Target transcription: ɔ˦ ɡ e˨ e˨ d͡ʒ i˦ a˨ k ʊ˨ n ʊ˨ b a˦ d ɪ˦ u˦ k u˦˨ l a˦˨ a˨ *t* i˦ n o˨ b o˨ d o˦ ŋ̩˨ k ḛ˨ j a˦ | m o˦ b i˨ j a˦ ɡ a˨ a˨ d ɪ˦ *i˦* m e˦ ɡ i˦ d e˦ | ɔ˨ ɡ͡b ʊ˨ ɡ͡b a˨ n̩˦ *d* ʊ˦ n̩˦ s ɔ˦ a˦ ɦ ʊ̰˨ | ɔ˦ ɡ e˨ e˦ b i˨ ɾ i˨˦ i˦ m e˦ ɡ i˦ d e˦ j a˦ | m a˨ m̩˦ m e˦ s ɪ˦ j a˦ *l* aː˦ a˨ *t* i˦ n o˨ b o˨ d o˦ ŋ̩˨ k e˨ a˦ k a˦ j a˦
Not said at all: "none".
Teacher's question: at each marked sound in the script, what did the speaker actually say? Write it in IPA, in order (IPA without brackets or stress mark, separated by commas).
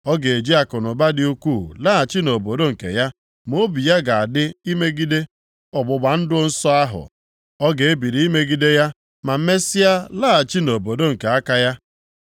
t͡ʃ, i˦, d, l, t͡ʃ